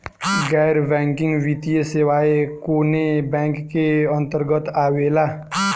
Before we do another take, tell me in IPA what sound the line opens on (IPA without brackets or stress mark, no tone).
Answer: ɡ